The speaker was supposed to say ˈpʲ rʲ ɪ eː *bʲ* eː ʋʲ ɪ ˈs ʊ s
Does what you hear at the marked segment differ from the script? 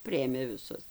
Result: yes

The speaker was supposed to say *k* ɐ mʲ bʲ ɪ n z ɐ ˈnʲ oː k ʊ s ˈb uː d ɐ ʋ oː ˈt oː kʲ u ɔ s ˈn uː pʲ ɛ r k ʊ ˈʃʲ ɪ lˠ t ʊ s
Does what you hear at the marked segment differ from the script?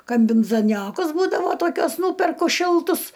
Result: no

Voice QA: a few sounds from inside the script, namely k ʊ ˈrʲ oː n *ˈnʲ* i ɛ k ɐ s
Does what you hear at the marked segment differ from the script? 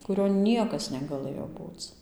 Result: no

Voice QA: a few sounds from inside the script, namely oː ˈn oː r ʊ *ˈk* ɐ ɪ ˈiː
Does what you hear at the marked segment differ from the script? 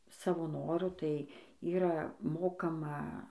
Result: yes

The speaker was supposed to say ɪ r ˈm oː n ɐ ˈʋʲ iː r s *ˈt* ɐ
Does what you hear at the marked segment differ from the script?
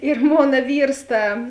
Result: no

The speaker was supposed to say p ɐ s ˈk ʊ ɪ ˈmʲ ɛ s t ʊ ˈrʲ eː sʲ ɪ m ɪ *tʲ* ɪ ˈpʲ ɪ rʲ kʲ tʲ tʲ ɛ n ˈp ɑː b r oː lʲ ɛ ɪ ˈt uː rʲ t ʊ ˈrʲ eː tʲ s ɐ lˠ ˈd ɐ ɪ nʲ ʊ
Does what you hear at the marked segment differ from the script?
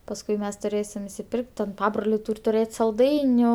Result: yes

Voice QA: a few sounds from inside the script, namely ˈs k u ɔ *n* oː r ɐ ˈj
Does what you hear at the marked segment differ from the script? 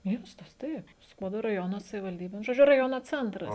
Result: yes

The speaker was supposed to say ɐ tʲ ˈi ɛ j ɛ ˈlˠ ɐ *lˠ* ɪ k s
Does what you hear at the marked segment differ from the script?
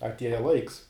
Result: yes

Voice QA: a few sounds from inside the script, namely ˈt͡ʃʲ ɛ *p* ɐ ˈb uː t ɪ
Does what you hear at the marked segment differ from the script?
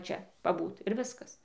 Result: no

